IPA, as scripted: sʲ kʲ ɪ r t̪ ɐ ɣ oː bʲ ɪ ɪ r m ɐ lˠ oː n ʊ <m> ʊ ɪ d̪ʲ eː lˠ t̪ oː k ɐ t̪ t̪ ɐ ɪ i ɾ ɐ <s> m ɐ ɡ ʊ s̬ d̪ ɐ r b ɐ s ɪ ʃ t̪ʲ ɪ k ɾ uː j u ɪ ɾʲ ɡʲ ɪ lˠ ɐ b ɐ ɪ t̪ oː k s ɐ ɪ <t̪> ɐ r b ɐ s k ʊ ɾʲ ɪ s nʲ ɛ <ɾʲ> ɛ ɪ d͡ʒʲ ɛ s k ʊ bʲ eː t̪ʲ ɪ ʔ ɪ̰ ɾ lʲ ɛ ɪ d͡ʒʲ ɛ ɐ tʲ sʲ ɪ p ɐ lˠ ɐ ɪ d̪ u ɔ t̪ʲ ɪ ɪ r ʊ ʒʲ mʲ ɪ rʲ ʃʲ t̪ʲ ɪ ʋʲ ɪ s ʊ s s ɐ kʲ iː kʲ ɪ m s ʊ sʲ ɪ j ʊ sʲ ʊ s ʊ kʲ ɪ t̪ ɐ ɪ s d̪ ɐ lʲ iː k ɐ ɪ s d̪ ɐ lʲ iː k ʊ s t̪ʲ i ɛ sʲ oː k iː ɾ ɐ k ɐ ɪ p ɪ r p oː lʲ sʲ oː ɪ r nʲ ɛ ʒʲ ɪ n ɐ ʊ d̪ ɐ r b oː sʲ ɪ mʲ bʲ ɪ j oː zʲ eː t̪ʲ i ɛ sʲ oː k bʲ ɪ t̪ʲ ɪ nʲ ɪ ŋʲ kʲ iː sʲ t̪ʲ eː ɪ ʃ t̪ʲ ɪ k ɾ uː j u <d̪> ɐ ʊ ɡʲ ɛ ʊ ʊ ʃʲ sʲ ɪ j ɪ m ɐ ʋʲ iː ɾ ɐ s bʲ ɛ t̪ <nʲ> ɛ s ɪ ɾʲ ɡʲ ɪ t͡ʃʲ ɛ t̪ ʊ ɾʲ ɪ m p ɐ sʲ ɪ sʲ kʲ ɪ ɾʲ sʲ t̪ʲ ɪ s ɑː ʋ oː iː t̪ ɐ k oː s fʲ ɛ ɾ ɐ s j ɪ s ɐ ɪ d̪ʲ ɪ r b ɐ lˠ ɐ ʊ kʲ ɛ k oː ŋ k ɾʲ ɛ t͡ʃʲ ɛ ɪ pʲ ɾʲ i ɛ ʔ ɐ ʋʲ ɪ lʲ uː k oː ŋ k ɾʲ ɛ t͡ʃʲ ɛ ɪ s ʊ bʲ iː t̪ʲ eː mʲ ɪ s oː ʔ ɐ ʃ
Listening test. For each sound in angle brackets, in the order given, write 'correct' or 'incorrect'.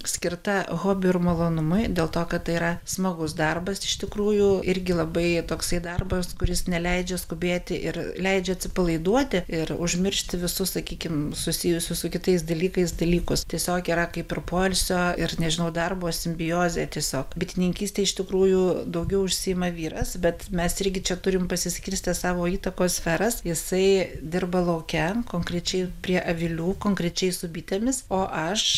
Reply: correct, correct, incorrect: d̪, incorrect: lʲ, correct, incorrect: mʲ

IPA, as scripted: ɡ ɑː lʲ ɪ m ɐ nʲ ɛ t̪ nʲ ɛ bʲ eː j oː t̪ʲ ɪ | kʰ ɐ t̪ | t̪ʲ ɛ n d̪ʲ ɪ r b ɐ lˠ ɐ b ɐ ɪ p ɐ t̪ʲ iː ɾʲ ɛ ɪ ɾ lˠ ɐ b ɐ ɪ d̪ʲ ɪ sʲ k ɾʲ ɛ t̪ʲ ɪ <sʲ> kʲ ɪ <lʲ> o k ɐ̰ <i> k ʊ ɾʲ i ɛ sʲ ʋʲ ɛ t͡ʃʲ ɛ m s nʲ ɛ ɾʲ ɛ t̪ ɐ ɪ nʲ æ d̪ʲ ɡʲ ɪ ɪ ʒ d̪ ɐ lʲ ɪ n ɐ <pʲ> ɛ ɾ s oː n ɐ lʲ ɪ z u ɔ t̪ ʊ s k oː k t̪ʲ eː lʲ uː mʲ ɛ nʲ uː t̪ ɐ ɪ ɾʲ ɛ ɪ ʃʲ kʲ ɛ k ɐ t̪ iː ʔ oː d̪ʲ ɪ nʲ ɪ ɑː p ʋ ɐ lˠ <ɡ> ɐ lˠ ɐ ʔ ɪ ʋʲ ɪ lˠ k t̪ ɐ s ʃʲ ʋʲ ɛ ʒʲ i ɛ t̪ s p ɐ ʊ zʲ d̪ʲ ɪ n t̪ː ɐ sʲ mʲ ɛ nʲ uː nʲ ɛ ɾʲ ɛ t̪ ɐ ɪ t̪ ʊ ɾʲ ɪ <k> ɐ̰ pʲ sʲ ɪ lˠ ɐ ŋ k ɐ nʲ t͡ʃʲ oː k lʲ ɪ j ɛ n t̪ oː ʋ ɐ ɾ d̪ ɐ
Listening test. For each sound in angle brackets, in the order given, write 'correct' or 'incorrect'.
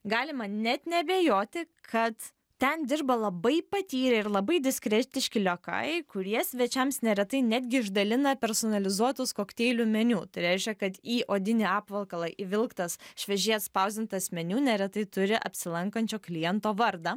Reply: incorrect: ʃʲ, correct, incorrect: ɪ, correct, incorrect: k, incorrect: ʔ

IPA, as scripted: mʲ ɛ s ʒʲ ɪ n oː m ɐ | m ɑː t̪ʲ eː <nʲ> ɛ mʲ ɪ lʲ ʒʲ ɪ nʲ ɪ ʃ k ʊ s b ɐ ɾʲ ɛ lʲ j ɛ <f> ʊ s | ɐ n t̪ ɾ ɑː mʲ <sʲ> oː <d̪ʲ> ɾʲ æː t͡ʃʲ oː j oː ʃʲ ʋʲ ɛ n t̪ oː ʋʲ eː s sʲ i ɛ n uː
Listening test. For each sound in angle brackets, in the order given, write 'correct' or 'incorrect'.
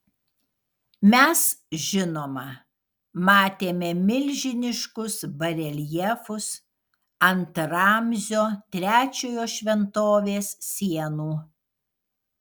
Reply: incorrect: mʲ, correct, incorrect: zʲ, incorrect: t̪ʲ

